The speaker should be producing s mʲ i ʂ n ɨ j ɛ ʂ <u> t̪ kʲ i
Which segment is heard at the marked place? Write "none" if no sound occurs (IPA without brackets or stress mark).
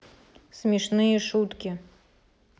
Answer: u